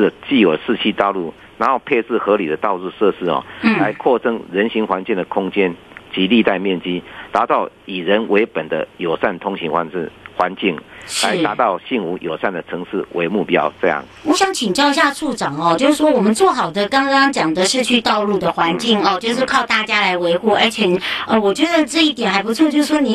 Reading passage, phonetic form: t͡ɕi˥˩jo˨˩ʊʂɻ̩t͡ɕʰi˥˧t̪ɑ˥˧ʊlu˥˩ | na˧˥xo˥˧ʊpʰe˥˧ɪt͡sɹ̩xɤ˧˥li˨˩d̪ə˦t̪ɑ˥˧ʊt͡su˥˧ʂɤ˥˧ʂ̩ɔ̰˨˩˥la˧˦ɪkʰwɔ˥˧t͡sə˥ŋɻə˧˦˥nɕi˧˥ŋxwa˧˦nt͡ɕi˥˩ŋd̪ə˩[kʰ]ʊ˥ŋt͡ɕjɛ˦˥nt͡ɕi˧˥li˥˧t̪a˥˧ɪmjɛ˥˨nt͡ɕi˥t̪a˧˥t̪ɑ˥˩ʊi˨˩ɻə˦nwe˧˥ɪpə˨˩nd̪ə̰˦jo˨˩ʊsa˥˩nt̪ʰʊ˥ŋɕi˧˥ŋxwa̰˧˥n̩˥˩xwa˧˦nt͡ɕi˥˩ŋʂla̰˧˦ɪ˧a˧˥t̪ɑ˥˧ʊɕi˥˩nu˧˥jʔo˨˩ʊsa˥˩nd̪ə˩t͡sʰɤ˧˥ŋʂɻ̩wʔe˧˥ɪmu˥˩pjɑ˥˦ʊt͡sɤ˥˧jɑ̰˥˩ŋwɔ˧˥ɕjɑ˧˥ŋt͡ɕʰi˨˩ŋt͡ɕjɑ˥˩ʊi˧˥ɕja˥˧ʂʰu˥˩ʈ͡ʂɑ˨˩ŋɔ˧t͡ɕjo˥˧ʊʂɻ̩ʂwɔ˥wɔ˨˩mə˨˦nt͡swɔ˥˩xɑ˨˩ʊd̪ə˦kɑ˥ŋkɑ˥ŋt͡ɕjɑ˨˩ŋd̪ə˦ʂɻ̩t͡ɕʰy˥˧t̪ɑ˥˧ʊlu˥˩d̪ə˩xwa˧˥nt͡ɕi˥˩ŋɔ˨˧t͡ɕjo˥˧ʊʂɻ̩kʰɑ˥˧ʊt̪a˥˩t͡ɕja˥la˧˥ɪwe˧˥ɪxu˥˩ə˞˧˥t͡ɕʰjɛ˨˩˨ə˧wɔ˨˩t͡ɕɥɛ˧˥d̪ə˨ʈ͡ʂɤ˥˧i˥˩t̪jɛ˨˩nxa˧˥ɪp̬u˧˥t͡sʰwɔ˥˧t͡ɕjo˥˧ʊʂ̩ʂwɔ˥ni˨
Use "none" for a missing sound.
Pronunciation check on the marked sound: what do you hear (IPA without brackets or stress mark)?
kʰ